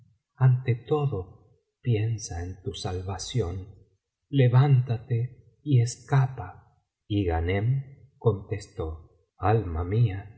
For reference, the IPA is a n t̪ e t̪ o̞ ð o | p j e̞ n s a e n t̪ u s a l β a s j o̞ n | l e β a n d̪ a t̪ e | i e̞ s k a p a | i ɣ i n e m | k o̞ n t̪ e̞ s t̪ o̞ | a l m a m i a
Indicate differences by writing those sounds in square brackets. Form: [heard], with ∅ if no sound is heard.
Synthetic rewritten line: a n t̪ e t̪ o̞ ð o | p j e̞ n s a e n t̪ u s a l β a s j o̞ n | l e β a n [t̪] a t̪ e | i e̞ s k a p a | i ɣ [a] n e m | k o̞ n t̪ e̞ s t̪ o̞ | a l m a m i a

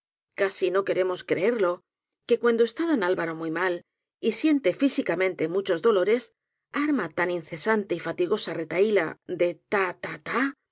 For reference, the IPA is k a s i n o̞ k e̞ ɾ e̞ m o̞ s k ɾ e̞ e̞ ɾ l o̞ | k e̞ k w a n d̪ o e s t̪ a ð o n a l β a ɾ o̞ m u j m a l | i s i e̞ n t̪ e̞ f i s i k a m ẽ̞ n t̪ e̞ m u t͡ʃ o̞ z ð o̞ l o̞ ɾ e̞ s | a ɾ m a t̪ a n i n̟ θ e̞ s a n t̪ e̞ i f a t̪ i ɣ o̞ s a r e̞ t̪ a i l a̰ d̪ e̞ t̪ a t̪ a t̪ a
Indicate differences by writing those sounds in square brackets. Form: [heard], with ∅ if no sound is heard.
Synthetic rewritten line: k a s i n o̞ k e̞ ɾ e̞ m o̞ s k ɾ e̞ e̞ ɾ l o̞ | k e̞ k w a n d̪ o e s t̪ a ð o n a l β a ɾ o̞ m u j m a l | i s [j] e̞ n t̪ e̞ f i s i k a m ẽ̞ n t̪ e̞ m u t͡ʃ o̞ z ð o̞ l o̞ ɾ e̞ s | a ɾ m a t̪ a n i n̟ θ e̞ s a n t̪ e̞ i f a t̪ i ɣ o̞ s a r e̞ t̪ a i l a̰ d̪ e̞ t̪ a t̪ a t̪ a

